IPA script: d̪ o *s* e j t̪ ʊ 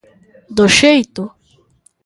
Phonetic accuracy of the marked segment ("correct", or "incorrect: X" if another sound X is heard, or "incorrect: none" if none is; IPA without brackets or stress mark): incorrect: ʃ